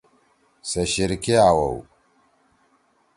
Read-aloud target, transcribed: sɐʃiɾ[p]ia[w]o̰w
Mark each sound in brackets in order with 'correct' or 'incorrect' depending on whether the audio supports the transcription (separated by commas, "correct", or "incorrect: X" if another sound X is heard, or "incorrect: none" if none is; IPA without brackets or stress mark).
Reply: incorrect: k, correct